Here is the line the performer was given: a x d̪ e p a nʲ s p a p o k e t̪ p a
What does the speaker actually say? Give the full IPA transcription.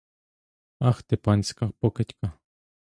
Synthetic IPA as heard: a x t̪ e p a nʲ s k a p o k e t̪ k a